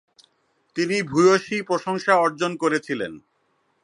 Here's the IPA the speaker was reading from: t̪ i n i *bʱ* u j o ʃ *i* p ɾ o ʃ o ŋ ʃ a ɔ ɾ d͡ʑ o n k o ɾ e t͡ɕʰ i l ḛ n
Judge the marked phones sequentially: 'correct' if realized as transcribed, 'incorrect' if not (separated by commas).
correct, correct